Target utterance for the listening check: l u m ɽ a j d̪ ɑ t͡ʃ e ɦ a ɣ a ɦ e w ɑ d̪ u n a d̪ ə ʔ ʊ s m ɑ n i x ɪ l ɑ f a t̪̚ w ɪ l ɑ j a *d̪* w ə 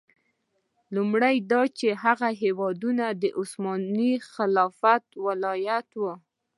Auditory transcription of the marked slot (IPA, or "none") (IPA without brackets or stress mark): t̪